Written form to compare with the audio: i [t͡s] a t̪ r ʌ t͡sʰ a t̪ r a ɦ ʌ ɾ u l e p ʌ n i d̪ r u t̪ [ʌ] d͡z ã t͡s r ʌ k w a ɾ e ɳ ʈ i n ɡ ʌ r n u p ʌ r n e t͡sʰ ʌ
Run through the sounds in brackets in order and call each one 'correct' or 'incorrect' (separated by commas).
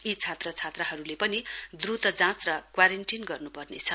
incorrect, correct